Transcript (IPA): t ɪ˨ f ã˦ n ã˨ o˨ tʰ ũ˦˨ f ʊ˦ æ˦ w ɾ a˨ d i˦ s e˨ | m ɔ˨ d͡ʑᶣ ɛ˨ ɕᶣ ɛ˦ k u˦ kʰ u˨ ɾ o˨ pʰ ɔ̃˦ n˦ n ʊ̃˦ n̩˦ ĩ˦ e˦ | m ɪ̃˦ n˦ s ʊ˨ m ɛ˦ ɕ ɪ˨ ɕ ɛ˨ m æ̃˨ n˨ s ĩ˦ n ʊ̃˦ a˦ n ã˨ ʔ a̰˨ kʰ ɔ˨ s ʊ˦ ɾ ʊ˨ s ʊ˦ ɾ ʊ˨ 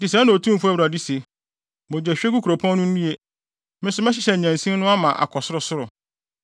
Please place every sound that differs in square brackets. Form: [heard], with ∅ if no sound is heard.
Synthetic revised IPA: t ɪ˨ [s] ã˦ n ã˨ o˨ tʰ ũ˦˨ f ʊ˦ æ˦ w ɾ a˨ d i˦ s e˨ | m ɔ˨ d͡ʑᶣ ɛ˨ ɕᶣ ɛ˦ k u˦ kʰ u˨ ɾ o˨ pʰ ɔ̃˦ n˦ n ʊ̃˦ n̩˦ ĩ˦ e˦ | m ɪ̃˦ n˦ s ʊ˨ m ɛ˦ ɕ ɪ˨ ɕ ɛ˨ [ɲ] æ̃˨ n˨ s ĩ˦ n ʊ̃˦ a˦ [m] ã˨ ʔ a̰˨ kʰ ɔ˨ s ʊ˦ ɾ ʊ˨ s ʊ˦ ɾ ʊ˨